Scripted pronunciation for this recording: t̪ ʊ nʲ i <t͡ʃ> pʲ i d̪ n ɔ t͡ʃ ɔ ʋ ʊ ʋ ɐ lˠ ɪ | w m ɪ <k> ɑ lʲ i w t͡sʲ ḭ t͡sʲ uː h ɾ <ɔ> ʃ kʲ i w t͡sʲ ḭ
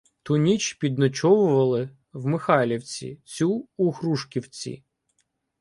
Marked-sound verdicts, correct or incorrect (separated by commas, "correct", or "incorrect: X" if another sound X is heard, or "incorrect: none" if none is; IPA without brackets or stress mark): correct, incorrect: x, incorrect: u